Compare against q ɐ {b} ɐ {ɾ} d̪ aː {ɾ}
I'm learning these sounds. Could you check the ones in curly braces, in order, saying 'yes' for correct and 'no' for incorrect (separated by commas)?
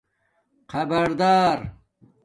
yes, yes, yes